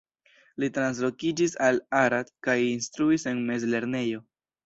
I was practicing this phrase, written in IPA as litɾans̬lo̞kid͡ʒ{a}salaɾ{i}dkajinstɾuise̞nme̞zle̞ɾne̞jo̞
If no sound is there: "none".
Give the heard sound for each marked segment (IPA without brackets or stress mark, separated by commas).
i, a